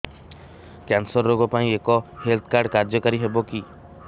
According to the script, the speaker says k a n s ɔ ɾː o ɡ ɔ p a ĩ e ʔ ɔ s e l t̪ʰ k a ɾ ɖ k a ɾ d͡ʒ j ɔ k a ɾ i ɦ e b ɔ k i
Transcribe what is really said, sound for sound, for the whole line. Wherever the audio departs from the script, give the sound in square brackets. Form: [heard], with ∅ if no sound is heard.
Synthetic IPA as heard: k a n s ɔ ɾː o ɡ ɔ p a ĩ e [k] ɔ [h] e l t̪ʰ k a ɾ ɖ k a ɾ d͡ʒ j ɔ k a ɾ i ɦ e b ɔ k i